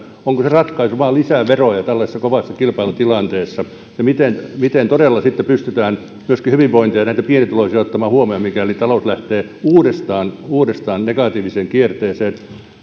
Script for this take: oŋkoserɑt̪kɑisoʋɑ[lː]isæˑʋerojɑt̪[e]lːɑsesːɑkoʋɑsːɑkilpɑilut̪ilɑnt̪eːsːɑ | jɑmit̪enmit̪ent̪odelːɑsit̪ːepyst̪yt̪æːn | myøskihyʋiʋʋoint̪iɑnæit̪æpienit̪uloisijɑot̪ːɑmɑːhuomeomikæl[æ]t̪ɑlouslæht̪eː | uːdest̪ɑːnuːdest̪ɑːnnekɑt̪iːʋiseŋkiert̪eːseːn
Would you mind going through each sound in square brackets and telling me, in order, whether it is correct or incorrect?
incorrect, incorrect, incorrect

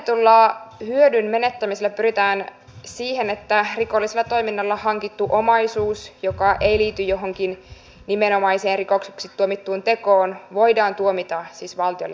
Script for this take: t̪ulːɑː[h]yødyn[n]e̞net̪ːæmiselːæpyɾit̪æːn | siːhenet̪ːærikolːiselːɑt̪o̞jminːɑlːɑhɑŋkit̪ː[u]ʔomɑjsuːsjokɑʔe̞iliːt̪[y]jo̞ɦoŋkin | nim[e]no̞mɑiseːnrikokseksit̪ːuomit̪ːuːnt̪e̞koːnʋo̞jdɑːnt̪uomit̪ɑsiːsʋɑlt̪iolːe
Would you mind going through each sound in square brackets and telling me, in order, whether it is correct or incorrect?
correct, incorrect, correct, correct, correct

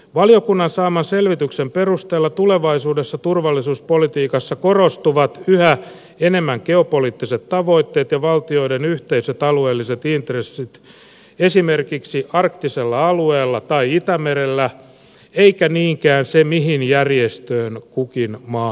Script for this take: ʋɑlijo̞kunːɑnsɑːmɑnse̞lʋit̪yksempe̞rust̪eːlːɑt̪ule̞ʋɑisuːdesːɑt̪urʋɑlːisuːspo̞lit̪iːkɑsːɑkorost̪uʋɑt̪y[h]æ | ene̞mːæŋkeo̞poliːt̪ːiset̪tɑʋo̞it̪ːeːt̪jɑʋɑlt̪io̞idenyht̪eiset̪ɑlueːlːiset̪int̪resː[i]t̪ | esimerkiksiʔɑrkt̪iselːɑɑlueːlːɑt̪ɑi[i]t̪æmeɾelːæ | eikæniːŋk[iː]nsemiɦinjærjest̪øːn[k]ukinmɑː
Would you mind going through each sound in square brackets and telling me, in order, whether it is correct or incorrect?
correct, correct, correct, incorrect, correct

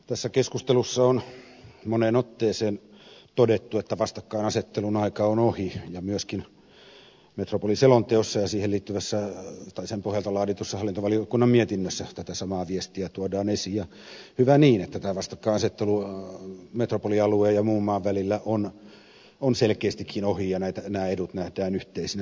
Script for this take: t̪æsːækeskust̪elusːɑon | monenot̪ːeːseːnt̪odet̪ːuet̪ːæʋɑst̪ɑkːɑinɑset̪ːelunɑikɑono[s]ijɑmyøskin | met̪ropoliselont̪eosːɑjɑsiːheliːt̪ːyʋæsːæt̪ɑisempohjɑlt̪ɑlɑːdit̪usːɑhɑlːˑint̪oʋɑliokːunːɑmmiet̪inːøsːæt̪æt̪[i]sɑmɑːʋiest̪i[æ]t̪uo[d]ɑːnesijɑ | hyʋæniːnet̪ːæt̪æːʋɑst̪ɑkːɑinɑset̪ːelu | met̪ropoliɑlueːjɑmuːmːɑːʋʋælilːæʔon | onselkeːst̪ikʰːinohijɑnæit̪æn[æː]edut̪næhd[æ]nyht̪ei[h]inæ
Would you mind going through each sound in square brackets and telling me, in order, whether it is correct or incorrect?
incorrect, incorrect, correct, correct, correct, incorrect, incorrect

